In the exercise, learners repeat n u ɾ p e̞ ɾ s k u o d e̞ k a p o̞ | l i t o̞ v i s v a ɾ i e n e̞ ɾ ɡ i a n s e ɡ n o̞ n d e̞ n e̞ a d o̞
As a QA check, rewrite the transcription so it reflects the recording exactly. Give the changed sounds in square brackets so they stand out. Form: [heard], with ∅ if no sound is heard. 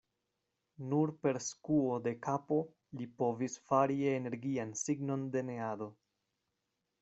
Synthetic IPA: n u ɾ p e̞ ɾ s k u o d e̞ k a p o̞ | l i [p] o̞ v i s [f] a ɾ i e n e̞ ɾ ɡ i a n s [i] ɡ n o̞ n d e̞ n e̞ a d o̞